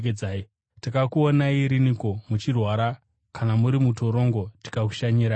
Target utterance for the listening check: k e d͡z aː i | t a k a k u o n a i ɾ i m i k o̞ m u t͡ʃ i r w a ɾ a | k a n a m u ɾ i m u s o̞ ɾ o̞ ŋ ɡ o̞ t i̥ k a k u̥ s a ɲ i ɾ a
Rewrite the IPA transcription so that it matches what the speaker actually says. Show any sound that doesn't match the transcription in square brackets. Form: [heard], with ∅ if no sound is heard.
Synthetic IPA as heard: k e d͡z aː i | t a k a k u o n a i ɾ i [n] i k o̞ m u t͡ʃ i r w a ɾ a | k a n a m u ɾ i m u [t] o̞ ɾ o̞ ŋ ɡ o̞ t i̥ k a k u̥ [ʃ] a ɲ i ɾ a